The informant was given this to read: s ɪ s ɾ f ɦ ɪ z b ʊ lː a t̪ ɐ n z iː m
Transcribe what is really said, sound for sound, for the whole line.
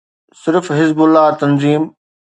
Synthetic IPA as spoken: s ɪ ɾ f ɦ ɪ z b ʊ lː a t̪ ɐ n z iː m